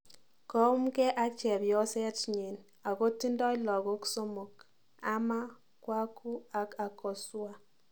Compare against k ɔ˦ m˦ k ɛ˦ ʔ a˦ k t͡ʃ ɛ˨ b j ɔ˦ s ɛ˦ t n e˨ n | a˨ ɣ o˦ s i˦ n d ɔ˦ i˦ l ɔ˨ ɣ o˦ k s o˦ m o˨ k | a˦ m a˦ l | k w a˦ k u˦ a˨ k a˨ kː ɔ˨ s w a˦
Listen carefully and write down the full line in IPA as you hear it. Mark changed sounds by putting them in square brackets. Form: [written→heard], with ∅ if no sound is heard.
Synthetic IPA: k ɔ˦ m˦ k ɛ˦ ʔ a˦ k t͡ʃ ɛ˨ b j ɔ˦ s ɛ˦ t [n→ɲ] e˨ n | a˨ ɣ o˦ [s→t] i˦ n d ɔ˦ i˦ l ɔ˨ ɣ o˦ k s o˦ m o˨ k | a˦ m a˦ [l→∅] | k w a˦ k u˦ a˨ k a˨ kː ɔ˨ s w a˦